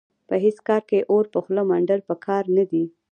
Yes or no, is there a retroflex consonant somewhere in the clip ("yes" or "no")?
yes